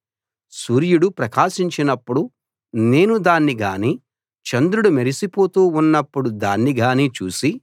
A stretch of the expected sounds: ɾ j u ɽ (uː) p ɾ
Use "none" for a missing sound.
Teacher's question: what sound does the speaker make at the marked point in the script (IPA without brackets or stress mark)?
u